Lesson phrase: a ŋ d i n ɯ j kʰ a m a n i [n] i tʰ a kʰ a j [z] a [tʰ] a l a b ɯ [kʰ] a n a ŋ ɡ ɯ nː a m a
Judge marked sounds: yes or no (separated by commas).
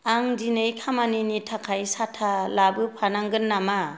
yes, no, yes, no